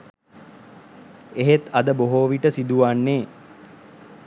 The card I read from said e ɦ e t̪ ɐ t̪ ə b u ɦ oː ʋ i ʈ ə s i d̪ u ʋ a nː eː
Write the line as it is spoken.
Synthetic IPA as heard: e ɦ e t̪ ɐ d̪ ə b o ɦ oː ʋ i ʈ ə s i d̪ u ʋ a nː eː